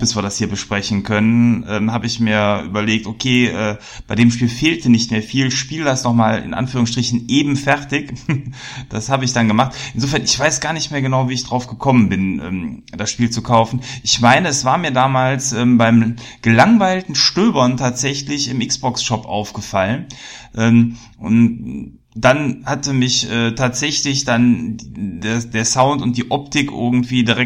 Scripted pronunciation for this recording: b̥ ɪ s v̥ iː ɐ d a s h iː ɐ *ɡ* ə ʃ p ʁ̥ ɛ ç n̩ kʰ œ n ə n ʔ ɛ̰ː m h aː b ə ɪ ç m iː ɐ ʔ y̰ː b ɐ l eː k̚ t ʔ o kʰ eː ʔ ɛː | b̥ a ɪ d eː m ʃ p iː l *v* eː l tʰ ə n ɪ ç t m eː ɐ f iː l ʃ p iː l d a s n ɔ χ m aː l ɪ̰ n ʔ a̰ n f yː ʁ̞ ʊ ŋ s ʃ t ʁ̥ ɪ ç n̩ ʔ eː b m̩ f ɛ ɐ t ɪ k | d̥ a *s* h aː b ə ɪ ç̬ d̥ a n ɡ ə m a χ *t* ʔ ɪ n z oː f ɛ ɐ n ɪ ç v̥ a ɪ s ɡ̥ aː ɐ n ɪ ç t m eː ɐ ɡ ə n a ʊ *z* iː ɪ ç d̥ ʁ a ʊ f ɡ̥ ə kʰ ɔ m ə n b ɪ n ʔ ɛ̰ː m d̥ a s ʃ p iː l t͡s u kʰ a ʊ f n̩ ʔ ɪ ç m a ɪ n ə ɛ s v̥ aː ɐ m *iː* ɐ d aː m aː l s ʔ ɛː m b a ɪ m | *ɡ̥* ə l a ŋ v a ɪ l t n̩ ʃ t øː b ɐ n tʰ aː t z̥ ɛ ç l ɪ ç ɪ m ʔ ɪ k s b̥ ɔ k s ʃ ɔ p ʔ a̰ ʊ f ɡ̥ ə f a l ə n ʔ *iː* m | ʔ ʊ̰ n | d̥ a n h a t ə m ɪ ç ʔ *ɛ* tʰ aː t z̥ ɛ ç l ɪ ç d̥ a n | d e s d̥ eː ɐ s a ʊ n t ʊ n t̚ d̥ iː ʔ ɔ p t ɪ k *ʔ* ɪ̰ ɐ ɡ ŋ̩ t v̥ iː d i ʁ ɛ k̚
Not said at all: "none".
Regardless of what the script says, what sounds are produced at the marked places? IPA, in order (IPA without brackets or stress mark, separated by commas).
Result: b, f, s, t, v, iː, ɡ̥, ɛː, ɛː, ʔ